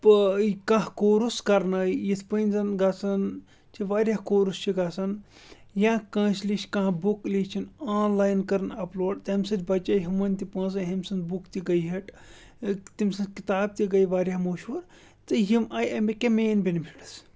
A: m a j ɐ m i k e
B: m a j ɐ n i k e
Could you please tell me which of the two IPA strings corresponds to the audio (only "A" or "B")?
A